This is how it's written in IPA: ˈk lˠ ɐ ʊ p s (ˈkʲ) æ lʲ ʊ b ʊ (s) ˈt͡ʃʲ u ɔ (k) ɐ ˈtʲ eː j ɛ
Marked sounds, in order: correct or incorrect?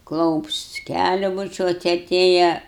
correct, incorrect: none, incorrect: t

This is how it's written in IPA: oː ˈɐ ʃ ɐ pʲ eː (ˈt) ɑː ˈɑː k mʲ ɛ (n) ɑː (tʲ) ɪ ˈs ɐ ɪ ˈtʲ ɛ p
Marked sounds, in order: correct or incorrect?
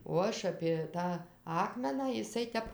correct, correct, incorrect: none

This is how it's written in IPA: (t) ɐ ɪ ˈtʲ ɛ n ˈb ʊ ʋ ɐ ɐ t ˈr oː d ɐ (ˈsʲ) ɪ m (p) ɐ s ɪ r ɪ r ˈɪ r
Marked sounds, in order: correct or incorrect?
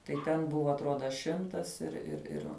correct, incorrect: ʃʲ, incorrect: t

